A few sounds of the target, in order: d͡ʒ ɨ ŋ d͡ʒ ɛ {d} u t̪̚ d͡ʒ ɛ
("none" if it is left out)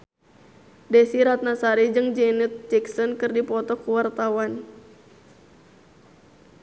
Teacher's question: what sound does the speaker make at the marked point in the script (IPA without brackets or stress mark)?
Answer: n